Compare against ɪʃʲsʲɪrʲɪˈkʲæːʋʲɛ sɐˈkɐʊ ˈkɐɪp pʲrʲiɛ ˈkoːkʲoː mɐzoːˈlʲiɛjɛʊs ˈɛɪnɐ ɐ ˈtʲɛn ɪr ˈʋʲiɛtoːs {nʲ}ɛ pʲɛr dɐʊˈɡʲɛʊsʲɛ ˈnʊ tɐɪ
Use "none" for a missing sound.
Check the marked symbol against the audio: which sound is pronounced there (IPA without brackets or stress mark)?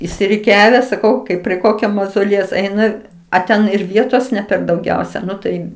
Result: nʲ